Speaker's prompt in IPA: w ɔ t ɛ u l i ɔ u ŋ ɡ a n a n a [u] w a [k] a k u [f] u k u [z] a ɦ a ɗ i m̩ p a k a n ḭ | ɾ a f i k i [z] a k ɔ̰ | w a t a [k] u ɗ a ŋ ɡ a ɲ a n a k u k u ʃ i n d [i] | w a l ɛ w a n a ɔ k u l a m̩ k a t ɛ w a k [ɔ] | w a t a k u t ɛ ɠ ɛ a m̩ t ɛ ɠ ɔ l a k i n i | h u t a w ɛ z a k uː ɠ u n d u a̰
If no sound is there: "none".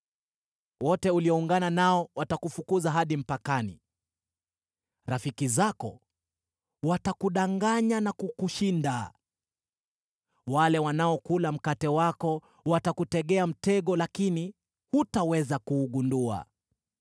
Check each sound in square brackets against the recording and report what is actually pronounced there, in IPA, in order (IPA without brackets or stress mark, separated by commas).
ɔ, t, f, z, z, k, a, ɔ